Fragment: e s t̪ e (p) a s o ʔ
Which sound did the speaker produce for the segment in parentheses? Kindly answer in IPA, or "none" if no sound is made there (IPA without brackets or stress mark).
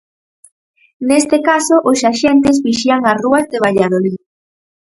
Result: k